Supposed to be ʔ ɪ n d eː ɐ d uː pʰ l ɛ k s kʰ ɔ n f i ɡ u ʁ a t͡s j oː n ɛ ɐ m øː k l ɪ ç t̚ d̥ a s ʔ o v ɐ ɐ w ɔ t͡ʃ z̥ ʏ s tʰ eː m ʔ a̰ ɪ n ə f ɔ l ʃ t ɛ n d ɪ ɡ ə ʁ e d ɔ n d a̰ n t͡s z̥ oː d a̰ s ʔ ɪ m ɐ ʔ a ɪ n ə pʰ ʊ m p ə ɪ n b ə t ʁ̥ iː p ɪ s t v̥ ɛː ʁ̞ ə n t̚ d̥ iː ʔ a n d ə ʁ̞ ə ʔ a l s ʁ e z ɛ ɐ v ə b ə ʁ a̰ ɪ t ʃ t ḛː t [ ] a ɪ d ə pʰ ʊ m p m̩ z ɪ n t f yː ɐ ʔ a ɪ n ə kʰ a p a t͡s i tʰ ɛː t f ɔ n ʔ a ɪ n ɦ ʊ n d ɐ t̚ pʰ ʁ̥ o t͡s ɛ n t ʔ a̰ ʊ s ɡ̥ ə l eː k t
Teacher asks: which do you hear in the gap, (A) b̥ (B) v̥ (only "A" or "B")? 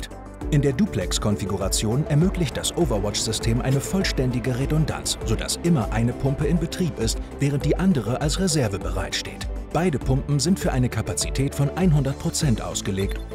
A